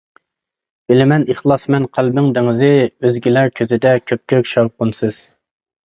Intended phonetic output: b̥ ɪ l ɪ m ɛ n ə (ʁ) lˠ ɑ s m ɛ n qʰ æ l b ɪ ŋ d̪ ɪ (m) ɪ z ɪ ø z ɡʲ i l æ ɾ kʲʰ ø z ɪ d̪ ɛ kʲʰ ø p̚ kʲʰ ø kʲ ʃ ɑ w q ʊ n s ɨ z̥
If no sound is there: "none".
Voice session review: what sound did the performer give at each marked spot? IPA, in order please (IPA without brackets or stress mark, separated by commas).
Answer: χ, ŋ